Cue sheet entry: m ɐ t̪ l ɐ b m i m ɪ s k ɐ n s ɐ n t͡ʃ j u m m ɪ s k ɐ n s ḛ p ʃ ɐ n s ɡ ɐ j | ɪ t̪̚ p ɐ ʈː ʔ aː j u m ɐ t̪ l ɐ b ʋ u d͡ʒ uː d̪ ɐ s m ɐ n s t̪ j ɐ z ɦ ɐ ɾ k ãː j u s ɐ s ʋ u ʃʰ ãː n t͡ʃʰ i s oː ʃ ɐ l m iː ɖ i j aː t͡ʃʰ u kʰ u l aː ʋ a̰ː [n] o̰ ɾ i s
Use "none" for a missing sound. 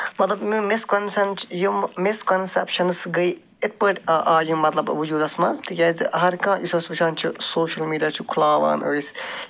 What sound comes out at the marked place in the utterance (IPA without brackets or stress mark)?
n